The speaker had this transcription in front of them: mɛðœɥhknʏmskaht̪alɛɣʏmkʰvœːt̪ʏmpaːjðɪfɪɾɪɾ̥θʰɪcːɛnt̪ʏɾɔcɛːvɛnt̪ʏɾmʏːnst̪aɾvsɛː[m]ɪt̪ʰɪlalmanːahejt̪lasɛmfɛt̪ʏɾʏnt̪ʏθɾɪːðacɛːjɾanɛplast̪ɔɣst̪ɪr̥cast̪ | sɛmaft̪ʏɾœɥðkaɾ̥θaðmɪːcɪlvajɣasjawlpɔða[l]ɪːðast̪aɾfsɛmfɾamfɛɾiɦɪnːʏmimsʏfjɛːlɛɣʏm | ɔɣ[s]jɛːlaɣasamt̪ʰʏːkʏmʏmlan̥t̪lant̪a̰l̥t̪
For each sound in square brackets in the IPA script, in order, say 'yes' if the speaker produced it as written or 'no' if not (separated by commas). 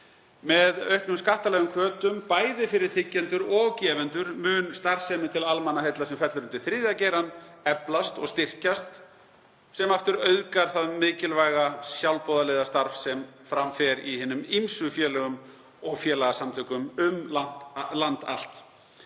yes, yes, no